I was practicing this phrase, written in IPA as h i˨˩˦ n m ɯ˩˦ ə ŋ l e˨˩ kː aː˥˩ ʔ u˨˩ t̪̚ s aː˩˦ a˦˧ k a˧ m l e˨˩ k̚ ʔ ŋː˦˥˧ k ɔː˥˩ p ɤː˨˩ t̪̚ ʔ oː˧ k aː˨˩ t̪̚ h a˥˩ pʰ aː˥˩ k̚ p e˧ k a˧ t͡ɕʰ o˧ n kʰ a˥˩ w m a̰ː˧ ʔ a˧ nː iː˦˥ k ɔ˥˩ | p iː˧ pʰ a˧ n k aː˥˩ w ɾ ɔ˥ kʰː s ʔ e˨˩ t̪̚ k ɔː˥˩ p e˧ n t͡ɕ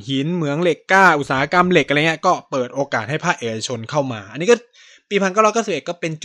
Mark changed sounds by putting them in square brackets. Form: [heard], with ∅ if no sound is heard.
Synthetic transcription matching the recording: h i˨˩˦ n m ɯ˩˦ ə ŋ l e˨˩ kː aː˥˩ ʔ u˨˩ t̪̚ s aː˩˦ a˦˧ k a˧ m l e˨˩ k̚ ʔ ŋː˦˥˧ k ɔː˥˩ p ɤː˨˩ t̪̚ ʔ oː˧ k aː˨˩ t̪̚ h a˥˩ pʰ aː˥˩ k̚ [ʔ] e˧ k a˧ t͡ɕʰ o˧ n kʰ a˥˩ w m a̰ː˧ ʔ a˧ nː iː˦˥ k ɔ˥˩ | p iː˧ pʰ a˧ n k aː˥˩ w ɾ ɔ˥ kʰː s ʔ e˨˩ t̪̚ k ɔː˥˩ p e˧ n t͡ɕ